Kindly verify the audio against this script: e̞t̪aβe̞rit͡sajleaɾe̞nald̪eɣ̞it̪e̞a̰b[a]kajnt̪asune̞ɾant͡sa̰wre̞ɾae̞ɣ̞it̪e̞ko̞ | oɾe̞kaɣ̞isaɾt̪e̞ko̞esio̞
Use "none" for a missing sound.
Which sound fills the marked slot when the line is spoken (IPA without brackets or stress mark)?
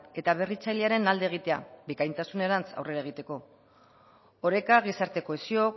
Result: i